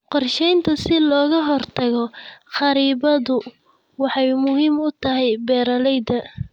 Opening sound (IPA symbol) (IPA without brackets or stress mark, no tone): q